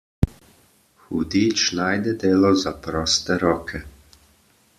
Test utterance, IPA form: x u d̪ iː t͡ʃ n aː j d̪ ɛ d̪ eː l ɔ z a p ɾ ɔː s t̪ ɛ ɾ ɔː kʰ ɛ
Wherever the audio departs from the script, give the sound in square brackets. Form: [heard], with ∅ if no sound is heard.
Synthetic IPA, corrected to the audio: x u d̪ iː t͡ʃ n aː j d̪ ɛ d̪ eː l ɔ z a p ɾ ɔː s t̪ ɛ ɾ ɔː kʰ ɛ

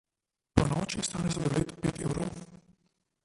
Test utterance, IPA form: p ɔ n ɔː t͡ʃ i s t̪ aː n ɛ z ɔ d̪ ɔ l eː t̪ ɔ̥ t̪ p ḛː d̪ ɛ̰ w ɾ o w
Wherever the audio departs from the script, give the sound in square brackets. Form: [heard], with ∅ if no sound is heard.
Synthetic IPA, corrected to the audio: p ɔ n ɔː t͡ʃ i s t̪ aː n ɛ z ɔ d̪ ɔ l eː t̪ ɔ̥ [∅] p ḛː [t̪] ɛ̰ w ɾ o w

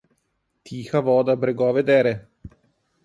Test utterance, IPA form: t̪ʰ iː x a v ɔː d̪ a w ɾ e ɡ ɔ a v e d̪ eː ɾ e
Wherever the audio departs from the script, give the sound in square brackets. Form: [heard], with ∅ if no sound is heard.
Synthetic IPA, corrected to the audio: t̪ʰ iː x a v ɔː d̪ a [b] ɾ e ɡ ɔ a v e d̪ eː ɾ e

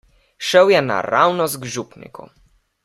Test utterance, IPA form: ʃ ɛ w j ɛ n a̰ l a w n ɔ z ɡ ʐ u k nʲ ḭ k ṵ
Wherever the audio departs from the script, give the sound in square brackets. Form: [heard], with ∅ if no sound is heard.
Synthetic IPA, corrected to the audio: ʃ ɛ w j ɛ n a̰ [ɾ] a w n ɔ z ɡ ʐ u [p] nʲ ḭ k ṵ

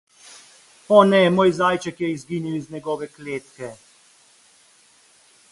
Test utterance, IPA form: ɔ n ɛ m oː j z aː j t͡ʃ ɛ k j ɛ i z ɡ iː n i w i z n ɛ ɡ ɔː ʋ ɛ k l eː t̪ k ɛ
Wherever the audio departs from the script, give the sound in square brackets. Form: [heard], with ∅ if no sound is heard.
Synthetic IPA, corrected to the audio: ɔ n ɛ m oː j z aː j t͡ʃ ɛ k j ɛ i z ɡ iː n i w i z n ɛ ɡ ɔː ʋ ɛ k l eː t̪ k ɛ

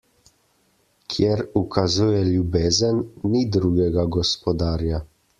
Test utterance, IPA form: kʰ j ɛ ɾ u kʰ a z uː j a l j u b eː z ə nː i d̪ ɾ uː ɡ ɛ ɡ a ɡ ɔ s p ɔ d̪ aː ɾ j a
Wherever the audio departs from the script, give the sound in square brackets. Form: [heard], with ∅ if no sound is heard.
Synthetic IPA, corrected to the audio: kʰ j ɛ ɾ u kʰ a z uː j [ɛ] l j u b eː z ə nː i d̪ ɾ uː ɡ ɛ ɡ a ɡ ɔ s p ɔ d̪ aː ɾ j a

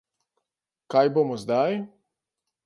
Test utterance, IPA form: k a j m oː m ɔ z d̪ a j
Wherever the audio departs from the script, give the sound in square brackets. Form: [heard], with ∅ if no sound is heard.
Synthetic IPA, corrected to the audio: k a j [b] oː m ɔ z d̪ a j

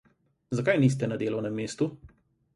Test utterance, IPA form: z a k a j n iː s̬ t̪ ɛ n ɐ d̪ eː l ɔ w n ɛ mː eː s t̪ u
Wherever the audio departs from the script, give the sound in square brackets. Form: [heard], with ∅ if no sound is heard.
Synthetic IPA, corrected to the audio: z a k a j n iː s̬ t̪ ɛ n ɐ d̪ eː l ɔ w n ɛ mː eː s t̪ u

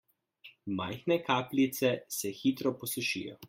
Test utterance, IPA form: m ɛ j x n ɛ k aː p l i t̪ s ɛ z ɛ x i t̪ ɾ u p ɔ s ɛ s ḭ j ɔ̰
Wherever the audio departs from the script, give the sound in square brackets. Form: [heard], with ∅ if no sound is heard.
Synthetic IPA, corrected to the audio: m [a] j x n ɛ k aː p l i t̪ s ɛ [s] ɛ x i t̪ ɾ [ɔ] p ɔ s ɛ [ʃ] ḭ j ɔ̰

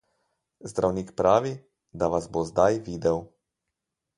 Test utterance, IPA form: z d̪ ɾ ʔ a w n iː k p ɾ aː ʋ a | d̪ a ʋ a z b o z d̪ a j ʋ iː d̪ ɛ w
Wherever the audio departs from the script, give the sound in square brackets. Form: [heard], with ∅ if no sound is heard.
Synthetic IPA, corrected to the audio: z d̪ ɾ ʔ a w n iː k p ɾ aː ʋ [i] | d̪ a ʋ a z b o z d̪ a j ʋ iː d̪ ɛ w

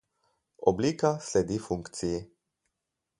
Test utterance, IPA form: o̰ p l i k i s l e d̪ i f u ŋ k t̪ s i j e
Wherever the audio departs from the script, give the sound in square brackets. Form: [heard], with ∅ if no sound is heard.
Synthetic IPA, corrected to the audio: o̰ [b] l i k [a] s l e d̪ i f u ŋ k t̪ s i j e

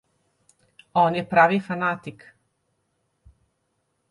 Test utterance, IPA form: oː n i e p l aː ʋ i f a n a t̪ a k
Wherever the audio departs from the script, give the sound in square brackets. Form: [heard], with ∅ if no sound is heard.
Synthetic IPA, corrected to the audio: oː n [j] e p [ɾ] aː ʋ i f a n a t̪ [i] k

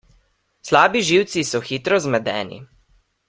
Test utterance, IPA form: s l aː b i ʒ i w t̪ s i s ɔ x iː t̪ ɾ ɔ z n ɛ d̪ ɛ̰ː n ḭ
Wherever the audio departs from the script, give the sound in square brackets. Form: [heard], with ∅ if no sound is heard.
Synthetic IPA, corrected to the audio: s l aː b i ʒ i w t̪ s i s ɔ x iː t̪ ɾ ɔ z [m] ɛ d̪ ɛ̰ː n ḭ

